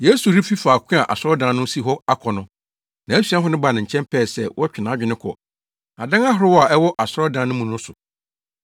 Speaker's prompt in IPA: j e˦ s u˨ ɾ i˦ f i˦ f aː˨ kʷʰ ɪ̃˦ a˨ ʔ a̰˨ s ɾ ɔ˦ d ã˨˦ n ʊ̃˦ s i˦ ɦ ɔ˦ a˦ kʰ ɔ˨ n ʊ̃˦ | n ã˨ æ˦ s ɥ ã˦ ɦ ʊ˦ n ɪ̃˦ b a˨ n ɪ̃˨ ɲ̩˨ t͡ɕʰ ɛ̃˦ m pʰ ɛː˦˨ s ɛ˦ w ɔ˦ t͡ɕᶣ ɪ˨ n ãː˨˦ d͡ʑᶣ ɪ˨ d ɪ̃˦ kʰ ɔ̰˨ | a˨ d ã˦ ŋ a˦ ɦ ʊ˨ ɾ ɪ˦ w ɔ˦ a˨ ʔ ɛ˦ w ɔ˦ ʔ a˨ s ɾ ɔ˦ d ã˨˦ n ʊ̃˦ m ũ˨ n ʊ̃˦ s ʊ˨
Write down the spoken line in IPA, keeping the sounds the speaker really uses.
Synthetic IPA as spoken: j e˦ s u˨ ɾ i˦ f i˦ f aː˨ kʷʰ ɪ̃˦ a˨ ʔ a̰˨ s ɾ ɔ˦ d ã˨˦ n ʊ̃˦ s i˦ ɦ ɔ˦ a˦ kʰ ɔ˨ n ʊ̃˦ | n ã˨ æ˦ s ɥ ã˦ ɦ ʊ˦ n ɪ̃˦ b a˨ n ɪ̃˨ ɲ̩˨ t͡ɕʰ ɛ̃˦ m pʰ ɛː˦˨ s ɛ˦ w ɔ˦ t͡ɕᶣ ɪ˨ n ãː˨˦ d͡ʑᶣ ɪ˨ n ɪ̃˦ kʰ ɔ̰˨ | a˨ d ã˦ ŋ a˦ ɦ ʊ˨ ɾ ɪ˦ w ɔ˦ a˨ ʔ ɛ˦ w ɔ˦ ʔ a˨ s ɾ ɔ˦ d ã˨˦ n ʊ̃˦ m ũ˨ n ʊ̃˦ s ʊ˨